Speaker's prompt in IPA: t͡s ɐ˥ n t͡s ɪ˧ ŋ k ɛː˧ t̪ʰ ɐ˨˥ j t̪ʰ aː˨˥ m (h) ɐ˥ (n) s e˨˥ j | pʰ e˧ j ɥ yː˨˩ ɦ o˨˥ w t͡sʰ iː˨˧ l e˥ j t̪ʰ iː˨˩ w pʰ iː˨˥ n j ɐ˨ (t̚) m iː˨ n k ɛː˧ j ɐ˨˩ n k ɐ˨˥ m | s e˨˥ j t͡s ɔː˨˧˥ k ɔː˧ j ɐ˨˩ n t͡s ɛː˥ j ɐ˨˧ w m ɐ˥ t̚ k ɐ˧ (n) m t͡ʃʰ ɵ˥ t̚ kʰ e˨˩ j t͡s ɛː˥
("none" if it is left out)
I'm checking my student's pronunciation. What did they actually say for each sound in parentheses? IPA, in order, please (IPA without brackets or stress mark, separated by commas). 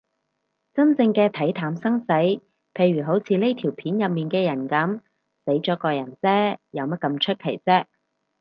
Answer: s, ŋ, p̚, none